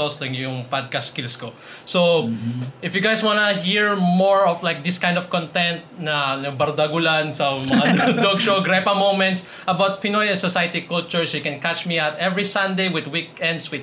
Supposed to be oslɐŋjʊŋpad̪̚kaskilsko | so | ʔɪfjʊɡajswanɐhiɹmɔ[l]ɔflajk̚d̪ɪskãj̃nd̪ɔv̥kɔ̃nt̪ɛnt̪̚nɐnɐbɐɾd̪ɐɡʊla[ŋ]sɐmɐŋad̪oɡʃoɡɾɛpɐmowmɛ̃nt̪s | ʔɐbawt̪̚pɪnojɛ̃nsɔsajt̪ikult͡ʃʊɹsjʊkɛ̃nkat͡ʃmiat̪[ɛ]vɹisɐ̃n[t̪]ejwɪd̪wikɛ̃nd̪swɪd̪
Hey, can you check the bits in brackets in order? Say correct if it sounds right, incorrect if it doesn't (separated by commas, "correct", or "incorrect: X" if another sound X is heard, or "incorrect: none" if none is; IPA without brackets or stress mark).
incorrect: ɹ, incorrect: n, correct, incorrect: d̪